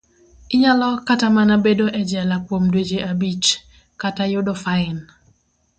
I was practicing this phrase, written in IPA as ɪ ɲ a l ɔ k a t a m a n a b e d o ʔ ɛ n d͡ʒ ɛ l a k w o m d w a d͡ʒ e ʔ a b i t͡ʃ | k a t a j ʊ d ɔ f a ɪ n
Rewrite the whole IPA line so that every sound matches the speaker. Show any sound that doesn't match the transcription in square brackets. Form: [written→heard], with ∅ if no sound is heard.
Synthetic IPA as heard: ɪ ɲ a l ɔ k a t a m a n a b e d o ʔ ɛ [n→∅] d͡ʒ ɛ l a k w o m d w [a→e] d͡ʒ e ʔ a b i t͡ʃ | k a t a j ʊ d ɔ f a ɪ n